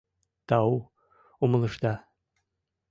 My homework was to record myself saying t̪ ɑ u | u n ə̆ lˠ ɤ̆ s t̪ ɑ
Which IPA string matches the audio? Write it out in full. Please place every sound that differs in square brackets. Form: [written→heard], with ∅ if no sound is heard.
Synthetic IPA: t̪ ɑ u | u [n→m] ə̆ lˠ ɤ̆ [s→ʃ] t̪ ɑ